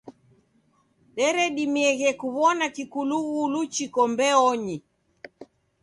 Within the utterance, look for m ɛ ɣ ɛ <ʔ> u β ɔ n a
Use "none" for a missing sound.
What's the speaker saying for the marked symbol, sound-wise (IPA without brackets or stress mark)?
k